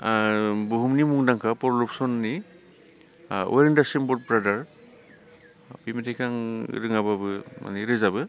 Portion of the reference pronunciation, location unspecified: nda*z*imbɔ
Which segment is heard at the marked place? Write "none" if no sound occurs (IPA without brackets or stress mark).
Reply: s